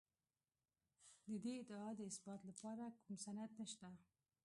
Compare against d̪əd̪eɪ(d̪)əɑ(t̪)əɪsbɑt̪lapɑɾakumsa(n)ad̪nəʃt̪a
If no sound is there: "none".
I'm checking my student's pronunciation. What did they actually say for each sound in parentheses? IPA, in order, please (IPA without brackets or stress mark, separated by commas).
d̪, d̪, n